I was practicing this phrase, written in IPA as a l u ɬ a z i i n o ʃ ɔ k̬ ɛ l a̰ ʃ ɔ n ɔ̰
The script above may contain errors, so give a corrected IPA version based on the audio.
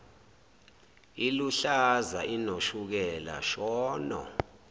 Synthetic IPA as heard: i l u ɬ a z a i n o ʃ u k̬ ɛ l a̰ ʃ ɔː n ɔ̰